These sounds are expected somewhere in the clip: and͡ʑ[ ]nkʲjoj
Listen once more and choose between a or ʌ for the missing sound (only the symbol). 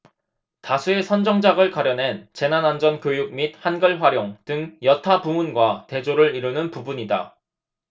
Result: ʌ